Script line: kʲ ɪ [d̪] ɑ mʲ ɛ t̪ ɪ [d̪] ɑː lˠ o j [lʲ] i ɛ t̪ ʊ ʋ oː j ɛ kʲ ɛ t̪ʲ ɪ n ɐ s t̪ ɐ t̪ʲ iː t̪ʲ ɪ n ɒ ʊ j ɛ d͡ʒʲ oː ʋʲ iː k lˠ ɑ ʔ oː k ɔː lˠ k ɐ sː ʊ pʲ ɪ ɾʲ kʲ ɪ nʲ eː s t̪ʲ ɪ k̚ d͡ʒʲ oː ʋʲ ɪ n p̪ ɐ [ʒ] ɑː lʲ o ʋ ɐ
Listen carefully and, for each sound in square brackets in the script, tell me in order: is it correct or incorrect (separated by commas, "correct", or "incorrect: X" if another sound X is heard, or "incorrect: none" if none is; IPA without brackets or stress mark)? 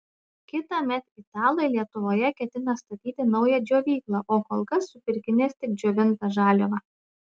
incorrect: t̪, incorrect: t̪, correct, correct